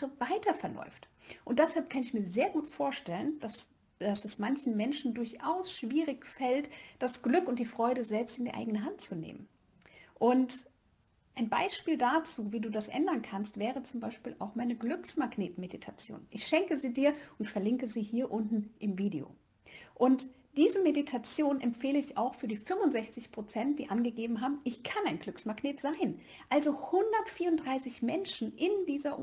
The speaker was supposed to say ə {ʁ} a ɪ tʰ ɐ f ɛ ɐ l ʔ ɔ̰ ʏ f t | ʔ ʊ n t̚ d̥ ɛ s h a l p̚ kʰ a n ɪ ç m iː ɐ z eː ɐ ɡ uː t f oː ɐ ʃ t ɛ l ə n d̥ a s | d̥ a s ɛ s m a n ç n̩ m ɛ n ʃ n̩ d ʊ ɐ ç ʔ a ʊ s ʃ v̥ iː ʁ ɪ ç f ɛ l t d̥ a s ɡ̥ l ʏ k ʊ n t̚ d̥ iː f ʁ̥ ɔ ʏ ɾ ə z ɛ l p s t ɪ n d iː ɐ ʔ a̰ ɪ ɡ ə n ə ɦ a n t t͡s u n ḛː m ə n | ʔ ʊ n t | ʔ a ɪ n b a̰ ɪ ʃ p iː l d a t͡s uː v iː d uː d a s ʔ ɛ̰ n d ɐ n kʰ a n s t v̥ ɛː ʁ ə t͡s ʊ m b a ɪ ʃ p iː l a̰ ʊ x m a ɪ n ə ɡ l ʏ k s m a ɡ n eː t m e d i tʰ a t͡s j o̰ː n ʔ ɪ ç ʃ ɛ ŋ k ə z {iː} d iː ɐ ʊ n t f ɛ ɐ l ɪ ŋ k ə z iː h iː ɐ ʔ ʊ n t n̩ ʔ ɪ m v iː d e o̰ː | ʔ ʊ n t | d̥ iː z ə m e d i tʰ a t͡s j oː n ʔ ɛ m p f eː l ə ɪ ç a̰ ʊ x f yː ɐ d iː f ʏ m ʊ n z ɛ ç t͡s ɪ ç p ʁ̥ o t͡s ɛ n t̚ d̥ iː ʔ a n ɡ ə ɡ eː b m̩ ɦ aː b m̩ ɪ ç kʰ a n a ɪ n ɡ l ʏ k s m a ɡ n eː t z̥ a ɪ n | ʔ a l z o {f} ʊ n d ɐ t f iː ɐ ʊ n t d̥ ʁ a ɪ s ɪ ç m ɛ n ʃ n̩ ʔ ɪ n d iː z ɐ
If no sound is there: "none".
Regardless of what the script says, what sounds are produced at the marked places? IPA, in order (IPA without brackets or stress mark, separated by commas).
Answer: v, iː, h